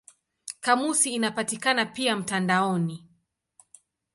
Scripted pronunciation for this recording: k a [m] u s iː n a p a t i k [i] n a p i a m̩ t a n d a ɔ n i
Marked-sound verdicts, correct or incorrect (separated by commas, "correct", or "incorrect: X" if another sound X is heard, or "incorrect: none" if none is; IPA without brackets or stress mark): correct, incorrect: a